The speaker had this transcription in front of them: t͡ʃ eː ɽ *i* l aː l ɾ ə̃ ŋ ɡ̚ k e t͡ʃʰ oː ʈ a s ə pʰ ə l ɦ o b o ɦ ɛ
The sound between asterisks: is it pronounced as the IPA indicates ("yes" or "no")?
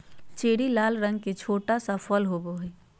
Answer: yes